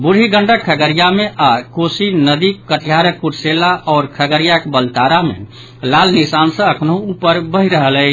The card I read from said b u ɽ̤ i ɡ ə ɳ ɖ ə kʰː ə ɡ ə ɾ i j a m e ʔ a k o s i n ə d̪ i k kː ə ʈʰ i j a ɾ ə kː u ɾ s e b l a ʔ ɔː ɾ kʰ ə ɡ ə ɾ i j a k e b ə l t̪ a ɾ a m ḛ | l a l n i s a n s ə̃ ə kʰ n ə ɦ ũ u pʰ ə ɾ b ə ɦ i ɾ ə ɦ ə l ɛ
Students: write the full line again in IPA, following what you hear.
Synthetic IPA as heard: b u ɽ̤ i ɡ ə ɳ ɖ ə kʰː ə ɡ ə ɾ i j a m e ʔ a k o s i n ə d̪ i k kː ə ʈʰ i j a ɾ ə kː u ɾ s e l a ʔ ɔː ɾ kʰ ə ɡ ə ɾ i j a k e b ə l t̪ a ɾ a m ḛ | l a l n i s a n s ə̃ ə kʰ n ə ɦ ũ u p ə ɾ b ə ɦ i ɾ ə ɦ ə l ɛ

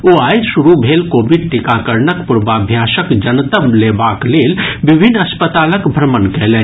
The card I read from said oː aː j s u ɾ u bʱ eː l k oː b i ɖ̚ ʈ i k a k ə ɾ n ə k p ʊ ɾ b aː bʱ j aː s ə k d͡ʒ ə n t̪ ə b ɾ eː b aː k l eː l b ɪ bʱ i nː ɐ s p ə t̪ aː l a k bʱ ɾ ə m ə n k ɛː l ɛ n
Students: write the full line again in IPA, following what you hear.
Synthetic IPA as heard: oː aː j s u ɾ u bʱ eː l k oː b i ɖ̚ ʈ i k a k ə ɾ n ə k p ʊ ɾ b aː bʱ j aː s ə k d͡ʒ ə n t̪ ə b l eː b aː k l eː l b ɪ bʱ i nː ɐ s p ə t̪ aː l ə k bʱ ɾ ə m ə n k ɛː l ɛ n

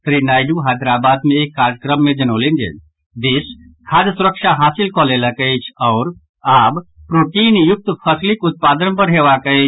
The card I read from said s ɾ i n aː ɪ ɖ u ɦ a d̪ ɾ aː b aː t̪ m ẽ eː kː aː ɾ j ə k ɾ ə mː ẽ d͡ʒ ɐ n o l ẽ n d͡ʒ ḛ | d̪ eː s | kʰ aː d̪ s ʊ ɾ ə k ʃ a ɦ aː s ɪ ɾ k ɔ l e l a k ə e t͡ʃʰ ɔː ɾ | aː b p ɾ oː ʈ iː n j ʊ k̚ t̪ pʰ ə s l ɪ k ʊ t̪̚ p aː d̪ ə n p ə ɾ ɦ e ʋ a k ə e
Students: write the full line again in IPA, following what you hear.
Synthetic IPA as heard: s ɾ i n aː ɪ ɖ u ɦ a d̪ ɾ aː b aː d̪ m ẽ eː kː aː ɾ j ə k ɾ ə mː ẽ d͡ʒ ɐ n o l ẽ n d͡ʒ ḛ | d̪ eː s | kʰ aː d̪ s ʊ ɾ ə k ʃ a ɦ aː s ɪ l k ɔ l e l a k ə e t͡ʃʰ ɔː ɾ | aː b p ɾ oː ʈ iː n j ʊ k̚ t̪ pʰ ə s l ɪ k ʊ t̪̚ p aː d̪ ə n p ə ɾ ɦ e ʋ a k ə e

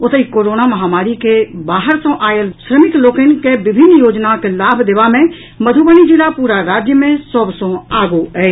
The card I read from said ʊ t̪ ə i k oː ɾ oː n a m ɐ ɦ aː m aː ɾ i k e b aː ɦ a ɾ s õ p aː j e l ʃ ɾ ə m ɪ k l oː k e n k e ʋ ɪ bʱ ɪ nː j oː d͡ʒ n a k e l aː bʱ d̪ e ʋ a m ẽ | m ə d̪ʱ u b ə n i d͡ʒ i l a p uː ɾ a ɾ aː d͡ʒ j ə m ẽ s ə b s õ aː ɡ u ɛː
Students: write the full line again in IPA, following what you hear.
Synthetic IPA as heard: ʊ t̪ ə i k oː ɾ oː n a m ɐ ɦ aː m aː ɾ i k e b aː ɦ ə ɾ s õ ʔ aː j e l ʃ ɾ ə m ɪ k l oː k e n k e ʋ ɪ bʱ ɪ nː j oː d͡ʒ n a k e l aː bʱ d̪ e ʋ a m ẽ | m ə d̪ʱ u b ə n i d͡ʒ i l a p uː ɾ a ɾ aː d͡ʒ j ə m ẽ s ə b s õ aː ɡ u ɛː

